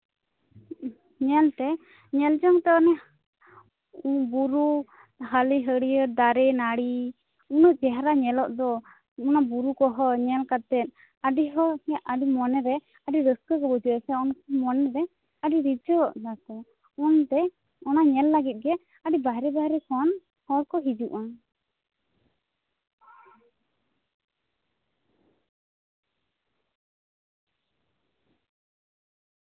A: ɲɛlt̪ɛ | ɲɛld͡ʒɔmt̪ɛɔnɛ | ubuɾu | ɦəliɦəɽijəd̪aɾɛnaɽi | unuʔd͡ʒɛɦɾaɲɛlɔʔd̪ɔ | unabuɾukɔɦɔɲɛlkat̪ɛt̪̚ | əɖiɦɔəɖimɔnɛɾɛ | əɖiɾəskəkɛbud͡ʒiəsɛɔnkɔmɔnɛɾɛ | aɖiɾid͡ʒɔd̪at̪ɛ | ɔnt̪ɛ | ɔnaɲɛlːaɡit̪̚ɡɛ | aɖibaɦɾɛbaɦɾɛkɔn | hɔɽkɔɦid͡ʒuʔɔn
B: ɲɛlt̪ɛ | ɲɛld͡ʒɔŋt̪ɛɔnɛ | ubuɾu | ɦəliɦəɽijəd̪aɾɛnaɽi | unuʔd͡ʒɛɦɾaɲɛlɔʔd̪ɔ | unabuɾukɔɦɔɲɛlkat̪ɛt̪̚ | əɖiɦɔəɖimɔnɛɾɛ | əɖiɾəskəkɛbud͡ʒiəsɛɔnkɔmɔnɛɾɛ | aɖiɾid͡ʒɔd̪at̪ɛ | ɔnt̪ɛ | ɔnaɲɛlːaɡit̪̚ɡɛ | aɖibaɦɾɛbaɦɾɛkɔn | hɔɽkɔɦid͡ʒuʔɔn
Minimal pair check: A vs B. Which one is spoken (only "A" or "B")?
B